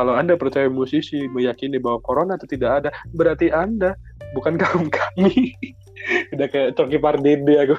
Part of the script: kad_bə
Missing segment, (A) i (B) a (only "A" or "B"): B